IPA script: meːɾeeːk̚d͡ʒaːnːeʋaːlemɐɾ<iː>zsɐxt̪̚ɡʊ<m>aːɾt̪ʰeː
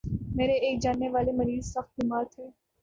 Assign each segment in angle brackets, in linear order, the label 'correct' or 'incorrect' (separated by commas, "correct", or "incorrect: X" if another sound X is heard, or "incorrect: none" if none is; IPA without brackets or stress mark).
correct, correct